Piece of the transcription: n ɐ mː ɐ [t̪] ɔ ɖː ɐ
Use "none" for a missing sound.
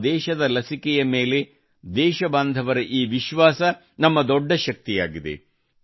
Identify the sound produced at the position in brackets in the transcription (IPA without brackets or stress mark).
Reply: d̪